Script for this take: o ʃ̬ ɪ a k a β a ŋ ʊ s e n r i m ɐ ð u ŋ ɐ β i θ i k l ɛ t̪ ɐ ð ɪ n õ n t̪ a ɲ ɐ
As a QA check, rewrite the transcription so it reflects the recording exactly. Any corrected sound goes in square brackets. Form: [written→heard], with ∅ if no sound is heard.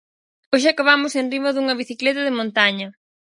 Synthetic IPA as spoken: o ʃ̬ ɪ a k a β a [ŋ→m] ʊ s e n r i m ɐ ð u ŋ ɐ β i θ i k l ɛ t̪ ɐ ð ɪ [n→m] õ n t̪ a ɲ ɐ